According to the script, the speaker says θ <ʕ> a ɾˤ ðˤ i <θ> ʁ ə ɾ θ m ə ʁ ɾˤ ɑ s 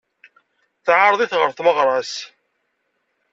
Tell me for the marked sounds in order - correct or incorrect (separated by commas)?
correct, correct